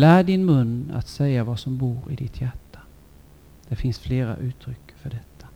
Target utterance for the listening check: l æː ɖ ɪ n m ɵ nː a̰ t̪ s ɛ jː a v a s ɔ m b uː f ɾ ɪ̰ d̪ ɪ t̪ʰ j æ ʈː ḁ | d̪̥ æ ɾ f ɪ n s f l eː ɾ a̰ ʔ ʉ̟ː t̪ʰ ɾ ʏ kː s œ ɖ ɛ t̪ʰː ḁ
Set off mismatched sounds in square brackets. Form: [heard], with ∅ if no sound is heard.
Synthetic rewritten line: l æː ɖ ɪ n m ɵ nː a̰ t̪ s ɛ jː a v a s ɔ m b uː [∅] ɾ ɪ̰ d̪ ɪ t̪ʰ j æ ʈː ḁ | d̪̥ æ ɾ f ɪ n s f l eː ɾ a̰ ʔ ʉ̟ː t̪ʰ ɾ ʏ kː [f] œ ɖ ɛ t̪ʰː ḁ